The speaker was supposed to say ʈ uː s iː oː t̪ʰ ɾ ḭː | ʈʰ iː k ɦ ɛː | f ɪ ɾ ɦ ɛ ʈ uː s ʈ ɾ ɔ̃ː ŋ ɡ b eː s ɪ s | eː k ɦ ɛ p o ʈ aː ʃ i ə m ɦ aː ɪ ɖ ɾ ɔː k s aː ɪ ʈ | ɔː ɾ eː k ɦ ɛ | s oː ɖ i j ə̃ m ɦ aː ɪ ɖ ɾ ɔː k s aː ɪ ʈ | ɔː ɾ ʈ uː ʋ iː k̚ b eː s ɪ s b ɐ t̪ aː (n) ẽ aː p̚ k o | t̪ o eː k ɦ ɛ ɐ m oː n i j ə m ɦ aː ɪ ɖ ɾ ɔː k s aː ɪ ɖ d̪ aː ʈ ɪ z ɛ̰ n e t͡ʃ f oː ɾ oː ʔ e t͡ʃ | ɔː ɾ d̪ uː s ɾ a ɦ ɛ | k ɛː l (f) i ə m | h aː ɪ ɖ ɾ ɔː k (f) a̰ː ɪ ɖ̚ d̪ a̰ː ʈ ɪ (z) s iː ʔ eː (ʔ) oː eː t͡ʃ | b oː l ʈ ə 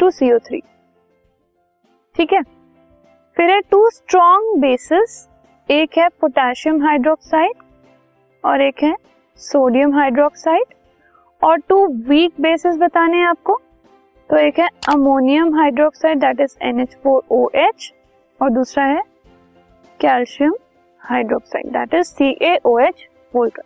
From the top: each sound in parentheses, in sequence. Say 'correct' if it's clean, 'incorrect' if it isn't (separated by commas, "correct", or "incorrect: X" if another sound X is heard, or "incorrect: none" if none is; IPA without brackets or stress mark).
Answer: correct, incorrect: ʃ, incorrect: s, correct, correct